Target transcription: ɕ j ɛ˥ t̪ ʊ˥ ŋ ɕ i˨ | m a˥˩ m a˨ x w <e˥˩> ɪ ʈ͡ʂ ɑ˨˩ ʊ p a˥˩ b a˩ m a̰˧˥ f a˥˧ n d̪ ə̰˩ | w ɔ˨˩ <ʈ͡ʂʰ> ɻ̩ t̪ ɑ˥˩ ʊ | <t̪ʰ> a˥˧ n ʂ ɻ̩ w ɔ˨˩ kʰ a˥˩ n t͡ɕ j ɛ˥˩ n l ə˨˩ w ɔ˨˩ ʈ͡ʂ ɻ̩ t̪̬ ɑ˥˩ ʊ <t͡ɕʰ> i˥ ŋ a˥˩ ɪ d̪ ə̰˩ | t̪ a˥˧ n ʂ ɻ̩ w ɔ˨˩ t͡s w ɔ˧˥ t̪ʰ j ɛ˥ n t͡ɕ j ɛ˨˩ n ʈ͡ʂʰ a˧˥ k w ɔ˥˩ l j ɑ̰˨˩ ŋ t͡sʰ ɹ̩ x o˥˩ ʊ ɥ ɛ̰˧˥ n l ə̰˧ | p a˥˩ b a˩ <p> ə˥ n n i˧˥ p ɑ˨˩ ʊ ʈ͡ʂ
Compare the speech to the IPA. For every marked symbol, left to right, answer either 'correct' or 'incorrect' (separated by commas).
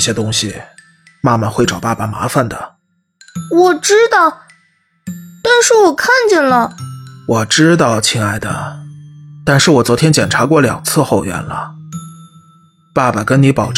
correct, incorrect, incorrect, correct, incorrect